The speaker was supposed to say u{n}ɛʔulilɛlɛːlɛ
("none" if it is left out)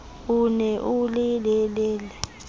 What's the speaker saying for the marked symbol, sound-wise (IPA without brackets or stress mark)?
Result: n